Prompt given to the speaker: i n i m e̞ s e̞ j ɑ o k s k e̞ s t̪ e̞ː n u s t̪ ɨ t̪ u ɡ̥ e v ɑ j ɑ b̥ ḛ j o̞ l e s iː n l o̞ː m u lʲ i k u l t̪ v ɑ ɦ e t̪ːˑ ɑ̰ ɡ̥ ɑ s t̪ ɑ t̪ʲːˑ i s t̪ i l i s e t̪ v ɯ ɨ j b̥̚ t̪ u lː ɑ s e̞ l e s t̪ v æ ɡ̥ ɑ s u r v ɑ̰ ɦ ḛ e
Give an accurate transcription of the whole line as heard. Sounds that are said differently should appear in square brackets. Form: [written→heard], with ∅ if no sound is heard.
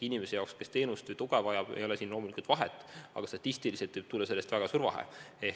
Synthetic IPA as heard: i n i m e̞ s e̞ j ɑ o k s k e̞ s t̪ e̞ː n u s t̪ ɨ t̪ u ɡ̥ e v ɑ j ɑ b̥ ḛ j o̞ l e s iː n l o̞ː m u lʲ i k u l t̪ v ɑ ɦ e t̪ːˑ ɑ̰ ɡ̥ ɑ s t̪ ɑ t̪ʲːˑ i s t̪ i l i s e t̪ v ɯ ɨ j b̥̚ t̪ u lː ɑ s e̞ l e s t̪ v æ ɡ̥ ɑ s u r v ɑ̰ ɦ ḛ e